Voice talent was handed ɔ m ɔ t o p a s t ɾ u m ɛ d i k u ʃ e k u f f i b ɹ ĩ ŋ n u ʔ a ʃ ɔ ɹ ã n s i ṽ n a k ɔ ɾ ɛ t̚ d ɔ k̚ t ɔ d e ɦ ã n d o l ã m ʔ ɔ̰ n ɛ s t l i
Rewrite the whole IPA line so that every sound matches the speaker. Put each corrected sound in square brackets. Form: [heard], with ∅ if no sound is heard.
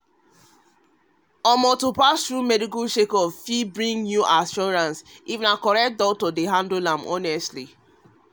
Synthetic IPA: ɔ m ɔ t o p a s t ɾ u m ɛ d i k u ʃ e k [ɔ] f f i b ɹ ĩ ŋ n u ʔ a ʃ ɔ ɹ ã n s i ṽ n a k ɔ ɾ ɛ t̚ d ɔ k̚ t ɔ d e ɦ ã n d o l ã m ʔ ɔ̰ n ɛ s t l i